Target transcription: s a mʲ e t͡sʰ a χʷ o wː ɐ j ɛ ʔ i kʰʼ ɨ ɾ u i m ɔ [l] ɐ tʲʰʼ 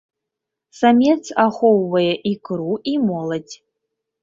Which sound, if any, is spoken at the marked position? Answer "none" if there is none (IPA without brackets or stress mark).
l